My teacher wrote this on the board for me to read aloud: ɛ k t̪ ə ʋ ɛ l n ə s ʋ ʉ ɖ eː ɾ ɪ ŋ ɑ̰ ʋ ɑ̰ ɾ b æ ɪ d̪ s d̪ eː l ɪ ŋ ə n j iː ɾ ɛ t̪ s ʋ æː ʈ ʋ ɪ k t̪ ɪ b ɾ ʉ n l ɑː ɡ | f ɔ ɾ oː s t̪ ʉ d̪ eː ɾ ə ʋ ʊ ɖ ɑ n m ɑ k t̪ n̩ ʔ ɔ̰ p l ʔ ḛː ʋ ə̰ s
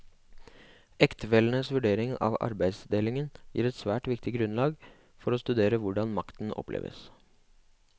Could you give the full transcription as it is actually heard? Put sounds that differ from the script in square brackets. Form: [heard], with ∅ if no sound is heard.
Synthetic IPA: ɛ k t̪ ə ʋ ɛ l n ə s ʋ ʉ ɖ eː ɾ ɪ ŋ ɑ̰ ʋ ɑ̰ ɾ b æ ɪ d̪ s d̪ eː l ɪ ŋ ə n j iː ɾ ɛ t̪ s ʋ æː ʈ ʋ ɪ k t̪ ɪ [ɡ] ɾ ʉ n l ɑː ɡ | f ɔ ɾ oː s t̪ ʉ d̪ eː ɾ ə ʋ ʊ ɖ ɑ n m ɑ k t̪ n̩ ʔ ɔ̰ p l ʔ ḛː ʋ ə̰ s